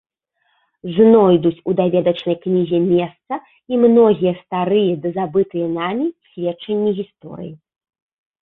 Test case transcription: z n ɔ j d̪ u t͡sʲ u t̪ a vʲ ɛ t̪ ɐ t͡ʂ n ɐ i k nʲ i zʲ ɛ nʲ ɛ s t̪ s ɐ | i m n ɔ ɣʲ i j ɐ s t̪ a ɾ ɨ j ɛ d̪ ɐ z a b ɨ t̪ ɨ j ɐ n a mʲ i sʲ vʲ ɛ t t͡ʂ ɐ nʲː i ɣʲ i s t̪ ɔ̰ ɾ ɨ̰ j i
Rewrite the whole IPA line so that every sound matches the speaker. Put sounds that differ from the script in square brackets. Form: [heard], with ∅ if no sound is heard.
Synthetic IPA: z n ɔ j d̪ u t͡sʲ u [d̪] a vʲ ɛ [d̪] ɐ t͡ʂ n ɐ [j] k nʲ i zʲ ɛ [mʲ] ɛ s t̪ s ɐ | i m n ɔ ɣʲ i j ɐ s t̪ a ɾ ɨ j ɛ d̪ ɐ z a b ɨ t̪ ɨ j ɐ n a mʲ i sʲ vʲ ɛ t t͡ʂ ɐ nʲː i ɣʲ i s t̪ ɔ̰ ɾ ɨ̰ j i